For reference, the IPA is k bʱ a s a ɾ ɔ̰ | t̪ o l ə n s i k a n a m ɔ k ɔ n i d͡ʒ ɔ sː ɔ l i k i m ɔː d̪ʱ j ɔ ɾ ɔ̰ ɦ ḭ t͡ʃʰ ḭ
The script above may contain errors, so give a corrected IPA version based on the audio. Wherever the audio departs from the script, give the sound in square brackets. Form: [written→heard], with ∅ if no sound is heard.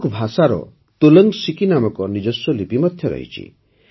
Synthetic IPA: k bʱ a s a ɾ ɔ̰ | t̪ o l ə [n→ŋ] s i k [a→i] n a m ɔ k ɔ n i d͡ʒ ɔ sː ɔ l i [k→p] i m [ɔː→ɔ] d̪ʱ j ɔ ɾ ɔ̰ ɦ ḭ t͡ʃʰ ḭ